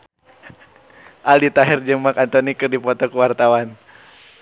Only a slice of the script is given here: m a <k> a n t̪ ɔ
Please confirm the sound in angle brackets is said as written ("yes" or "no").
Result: yes